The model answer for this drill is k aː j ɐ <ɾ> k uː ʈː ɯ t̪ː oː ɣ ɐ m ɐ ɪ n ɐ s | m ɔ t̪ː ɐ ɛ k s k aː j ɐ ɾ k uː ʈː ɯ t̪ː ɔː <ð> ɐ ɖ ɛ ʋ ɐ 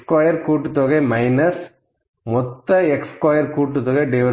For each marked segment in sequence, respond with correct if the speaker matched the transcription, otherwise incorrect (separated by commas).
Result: correct, incorrect